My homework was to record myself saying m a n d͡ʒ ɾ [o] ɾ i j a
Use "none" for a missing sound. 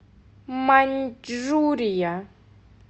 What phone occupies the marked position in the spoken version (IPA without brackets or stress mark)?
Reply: u